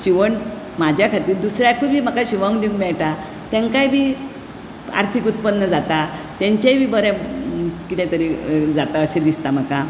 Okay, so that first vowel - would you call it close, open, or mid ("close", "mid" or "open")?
close